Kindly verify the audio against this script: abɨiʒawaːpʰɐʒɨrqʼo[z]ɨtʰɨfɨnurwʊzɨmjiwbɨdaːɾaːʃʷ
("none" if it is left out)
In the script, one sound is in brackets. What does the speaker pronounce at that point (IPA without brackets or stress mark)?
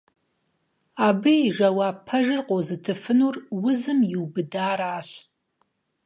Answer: z